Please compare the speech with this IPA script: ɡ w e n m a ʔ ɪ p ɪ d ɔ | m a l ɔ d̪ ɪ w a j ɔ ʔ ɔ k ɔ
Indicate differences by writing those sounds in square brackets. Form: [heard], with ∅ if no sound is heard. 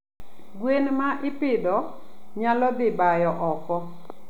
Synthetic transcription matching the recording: ɡ w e n m a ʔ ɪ p ɪ d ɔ | [ɲ] a l ɔ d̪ ɪ [b] a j ɔ ʔ ɔ k ɔ